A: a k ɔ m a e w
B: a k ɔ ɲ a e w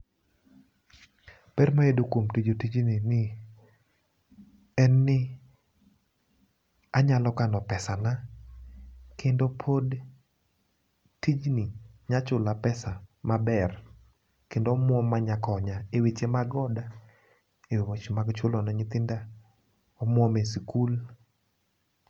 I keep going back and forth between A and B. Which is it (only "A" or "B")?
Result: B